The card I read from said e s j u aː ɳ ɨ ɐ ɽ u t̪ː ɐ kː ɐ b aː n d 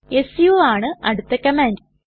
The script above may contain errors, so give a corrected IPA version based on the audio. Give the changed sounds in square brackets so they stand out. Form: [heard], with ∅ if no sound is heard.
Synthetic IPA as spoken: e s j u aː ɳ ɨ ɐ ɽ u t̪ː ɐ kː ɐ [m] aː n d